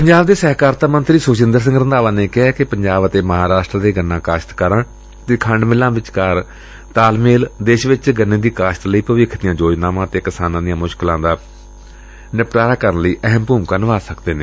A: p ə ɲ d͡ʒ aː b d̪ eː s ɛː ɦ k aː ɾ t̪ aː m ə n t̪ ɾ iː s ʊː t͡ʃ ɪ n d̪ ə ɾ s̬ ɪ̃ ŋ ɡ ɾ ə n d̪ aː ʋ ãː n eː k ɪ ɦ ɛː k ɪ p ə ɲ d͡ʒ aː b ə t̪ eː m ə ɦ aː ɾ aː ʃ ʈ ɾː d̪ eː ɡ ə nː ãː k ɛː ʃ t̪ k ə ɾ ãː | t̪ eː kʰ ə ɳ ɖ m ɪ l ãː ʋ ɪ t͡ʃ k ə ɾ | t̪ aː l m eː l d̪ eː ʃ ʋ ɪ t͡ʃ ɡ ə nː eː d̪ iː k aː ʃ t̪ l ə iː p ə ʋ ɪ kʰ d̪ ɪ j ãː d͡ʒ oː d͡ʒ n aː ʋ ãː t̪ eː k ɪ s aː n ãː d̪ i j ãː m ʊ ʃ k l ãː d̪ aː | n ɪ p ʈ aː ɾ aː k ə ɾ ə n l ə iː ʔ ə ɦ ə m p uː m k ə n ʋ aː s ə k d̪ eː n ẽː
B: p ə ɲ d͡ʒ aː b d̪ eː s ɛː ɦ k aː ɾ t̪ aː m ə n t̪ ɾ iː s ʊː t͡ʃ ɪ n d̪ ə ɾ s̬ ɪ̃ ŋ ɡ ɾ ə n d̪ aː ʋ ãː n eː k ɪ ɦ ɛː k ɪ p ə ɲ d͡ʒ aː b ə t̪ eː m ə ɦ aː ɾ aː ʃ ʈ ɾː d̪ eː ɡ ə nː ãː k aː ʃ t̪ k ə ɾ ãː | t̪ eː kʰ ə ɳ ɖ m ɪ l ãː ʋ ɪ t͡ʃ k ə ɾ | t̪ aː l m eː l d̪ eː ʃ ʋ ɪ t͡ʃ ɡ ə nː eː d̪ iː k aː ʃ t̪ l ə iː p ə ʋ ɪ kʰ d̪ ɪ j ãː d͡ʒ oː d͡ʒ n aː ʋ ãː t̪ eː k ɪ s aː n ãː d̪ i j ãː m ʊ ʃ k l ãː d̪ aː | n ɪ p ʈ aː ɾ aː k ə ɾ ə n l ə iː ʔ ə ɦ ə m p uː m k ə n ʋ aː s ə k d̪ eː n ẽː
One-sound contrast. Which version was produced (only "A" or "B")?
B